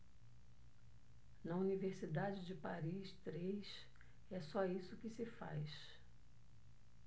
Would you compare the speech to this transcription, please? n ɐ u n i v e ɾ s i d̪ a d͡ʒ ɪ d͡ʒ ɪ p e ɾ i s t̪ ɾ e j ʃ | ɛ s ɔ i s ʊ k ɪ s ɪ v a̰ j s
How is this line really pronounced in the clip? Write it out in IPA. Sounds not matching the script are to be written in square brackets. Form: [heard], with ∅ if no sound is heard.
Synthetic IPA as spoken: n ɐ u n i v e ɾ s i d̪ a d͡ʒ ɪ d͡ʒ ɪ p [a] ɾ i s t̪ ɾ e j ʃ | ɛ s ɔ i s ʊ k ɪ s ɪ [f] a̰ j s

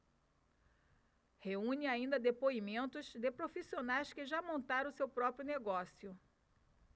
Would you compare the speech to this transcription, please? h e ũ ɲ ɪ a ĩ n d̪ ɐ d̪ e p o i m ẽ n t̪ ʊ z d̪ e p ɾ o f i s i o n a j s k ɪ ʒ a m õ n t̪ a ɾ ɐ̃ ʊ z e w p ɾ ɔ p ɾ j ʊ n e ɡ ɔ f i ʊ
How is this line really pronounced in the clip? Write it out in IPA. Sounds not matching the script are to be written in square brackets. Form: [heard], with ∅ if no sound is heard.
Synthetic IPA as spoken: h e ũ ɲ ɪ a ĩ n d̪ ɐ d̪ e p o i m ẽ n t̪ ʊ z d̪ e p ɾ o f i s i o n a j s k ɪ ʒ a m õ n t̪ a ɾ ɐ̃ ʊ [s] e w p ɾ ɔ p ɾ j ʊ n e ɡ ɔ [s] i ʊ

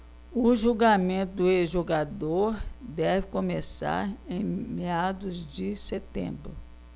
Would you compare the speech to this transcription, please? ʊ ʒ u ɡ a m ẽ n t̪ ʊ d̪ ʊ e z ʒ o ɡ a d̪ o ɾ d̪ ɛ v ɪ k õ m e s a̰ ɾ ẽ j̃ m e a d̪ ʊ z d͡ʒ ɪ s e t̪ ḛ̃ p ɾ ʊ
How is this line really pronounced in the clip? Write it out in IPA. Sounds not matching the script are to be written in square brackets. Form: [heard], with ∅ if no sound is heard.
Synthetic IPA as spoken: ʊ ʒ u ɡ a m ẽ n t̪ ʊ d̪ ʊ e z ʒ o ɡ a d̪ o ɾ d̪ ɛ v ɪ k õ m e s a̰ ɾ ẽ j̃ m e a d̪ ʊ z d͡ʒ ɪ s e t̪ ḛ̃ [b] ɾ ʊ

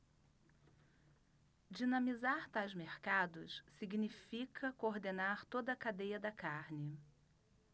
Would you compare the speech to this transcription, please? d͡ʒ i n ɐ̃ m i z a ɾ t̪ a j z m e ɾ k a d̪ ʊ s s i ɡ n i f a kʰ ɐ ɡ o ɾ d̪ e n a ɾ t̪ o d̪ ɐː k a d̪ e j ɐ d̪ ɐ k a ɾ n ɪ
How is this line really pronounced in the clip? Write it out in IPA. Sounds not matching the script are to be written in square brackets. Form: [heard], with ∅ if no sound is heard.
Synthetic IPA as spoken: d͡ʒ i n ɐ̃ m i z a ɾ t̪ a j z m e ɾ k a d̪ ʊ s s i ɡ n i f [i] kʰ ɐ [k] o ɾ d̪ e n a ɾ t̪ o d̪ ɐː k a d̪ e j ɐ d̪ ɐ k a ɾ n ɪ

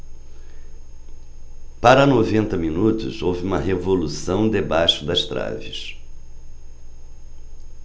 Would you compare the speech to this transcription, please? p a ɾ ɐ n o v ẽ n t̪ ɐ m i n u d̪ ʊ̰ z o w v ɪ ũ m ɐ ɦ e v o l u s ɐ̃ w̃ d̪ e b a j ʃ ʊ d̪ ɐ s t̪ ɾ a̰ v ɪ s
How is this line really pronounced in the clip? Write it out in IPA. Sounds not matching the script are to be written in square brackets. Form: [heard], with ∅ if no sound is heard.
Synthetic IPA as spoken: p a ɾ ɐ n o v ẽ n t̪ ɐ m i n u [t̪] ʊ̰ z o w v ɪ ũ m ɐ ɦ e v o l u s ɐ̃ w̃ d̪ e b a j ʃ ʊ d̪ ɐ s t̪ ɾ a̰ v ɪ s

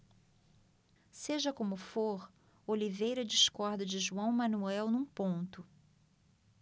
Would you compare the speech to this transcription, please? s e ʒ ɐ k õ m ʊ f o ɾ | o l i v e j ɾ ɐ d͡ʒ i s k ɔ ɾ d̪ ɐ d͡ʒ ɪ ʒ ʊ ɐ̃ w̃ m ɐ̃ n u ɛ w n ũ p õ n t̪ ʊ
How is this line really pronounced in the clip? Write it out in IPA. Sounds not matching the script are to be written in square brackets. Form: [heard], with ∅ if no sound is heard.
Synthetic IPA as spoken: s e ʒ ɐ k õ m ʊ f o ɾ | o l i v e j ɾ ɐ d͡ʒ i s k ɔ ɾ d̪ ɐ d͡ʒ ɪ ʒ [u] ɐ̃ w̃ m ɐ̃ n u ɛ w n ũ p õ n t̪ ʊ

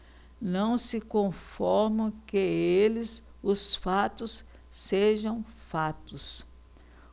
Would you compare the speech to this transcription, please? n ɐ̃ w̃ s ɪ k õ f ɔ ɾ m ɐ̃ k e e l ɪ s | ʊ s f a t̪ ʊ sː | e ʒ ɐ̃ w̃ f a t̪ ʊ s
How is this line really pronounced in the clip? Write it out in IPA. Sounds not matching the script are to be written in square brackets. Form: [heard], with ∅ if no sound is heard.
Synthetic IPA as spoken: n ɐ̃ w̃ s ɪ k õ f ɔ ɾ m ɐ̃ k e e l ɪ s | ʊ s f a t̪ ʊ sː | e ʒ ɐ̃ w̃ f a t̪ ʊ s

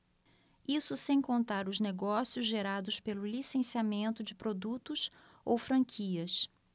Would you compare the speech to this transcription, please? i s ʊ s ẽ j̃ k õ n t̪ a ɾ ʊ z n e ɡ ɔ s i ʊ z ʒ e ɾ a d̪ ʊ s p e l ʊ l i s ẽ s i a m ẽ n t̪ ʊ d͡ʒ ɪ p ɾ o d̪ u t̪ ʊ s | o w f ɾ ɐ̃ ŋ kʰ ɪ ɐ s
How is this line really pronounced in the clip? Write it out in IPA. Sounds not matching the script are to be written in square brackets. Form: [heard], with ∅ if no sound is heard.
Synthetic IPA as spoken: i s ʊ s ẽ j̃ k õ n t̪ a ɾ ʊ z n e ɡ ɔ s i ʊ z ʒ e ɾ a d̪ ʊ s p e l ʊ l i s ẽ s i a m ẽ n t̪ ʊ d͡ʒ ɪ p ɾ o d̪ u t̪ ʊ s | o w f ɾ ɐ̃ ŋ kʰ [i] ɐ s

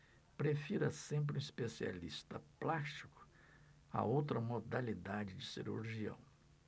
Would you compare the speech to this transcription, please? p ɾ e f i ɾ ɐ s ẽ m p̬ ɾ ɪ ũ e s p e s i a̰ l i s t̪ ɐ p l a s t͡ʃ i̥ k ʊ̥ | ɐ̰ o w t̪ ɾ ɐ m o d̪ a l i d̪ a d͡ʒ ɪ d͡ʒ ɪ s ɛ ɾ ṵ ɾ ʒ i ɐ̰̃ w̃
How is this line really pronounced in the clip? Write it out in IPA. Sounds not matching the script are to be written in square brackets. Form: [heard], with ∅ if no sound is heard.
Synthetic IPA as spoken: p ɾ e f i ɾ ɐ s ẽ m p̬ ɾ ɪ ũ [i] s p e s i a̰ l i s t̪ ɐ p l a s t͡ʃ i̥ k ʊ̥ | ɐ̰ o w t̪ ɾ ɐ m o d̪ a l i d̪ a d͡ʒ ɪ d͡ʒ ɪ s [i] ɾ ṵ ɾ ʒ i ɐ̰̃ w̃

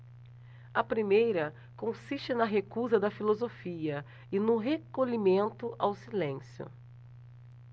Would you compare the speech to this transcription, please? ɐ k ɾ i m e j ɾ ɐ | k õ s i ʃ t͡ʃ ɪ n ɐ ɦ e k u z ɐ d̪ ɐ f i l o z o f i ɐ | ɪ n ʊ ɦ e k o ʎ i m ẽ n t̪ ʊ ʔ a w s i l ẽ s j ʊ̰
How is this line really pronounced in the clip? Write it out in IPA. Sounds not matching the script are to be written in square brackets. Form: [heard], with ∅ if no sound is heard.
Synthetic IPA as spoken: ɐ [p] ɾ i m e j ɾ ɐ | k õ s i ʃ t͡ʃ ɪ n ɐ ɦ e k u z ɐ d̪ ɐ f i l o z o f i ɐ | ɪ n ʊ ɦ e k o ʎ i m ẽ n t̪ ʊ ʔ a w s i l ẽ s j ʊ̰

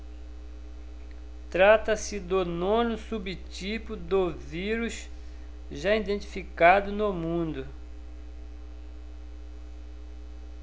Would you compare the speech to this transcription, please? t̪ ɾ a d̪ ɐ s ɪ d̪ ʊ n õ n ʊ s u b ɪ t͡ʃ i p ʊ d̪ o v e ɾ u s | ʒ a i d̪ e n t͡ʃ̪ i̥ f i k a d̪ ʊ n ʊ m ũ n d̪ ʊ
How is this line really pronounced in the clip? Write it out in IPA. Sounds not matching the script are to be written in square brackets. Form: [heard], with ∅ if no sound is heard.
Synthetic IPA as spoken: t̪ ɾ a [t̪] ɐ s ɪ d̪ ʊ n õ n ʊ s u b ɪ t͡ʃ i p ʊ d̪ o v [i] ɾ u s | ʒ a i d̪ [ẽ] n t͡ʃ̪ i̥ f i k a d̪ ʊ n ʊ m ũ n d̪ ʊ

